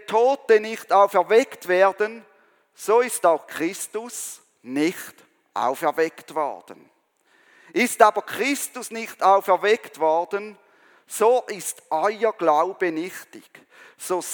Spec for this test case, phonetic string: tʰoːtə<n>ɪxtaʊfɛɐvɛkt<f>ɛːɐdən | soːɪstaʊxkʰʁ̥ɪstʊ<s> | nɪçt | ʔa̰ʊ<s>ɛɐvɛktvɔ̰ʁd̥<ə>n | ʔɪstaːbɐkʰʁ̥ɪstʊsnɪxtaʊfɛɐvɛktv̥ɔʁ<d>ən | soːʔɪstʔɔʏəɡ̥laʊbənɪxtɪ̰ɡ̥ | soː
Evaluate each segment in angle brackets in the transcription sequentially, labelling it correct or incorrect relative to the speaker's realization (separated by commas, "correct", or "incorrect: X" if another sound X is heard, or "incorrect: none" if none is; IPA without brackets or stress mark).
correct, incorrect: v, correct, incorrect: f, correct, correct